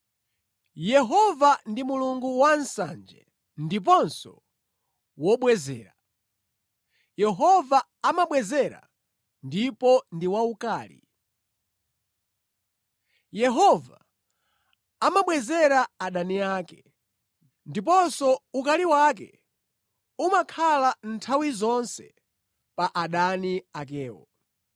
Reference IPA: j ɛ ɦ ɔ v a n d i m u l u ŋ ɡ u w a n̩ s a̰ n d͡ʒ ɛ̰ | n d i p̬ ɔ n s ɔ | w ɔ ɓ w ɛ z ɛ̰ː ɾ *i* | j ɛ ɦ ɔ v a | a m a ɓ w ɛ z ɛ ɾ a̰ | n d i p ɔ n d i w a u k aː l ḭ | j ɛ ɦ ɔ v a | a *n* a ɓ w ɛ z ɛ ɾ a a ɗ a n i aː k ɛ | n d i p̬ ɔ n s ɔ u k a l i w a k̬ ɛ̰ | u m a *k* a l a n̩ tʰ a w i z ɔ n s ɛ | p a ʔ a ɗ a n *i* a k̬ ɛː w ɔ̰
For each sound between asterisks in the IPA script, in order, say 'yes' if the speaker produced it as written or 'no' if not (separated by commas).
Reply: no, no, no, yes